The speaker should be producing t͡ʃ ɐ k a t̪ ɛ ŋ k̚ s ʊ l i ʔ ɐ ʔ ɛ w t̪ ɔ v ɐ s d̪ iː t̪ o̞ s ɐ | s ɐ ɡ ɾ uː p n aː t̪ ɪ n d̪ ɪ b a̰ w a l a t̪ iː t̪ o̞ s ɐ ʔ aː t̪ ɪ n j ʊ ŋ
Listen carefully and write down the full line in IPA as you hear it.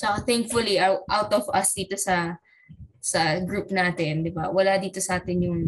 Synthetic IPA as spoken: t͡ʃ ɐ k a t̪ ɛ ŋ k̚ f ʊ l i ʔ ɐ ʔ a w t̪ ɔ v ɐ s d̪ iː t̪ o̞ s ɐ | s ɐ ɡ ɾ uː p n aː t̪ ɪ n d̪ ɪ b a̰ w ɐ l a d̪ iː t̪ o̞ s ɐ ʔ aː t̪ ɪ n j ʊ ŋ